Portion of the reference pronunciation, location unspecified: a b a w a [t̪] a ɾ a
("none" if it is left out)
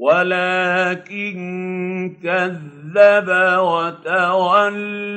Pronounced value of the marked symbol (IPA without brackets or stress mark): t̪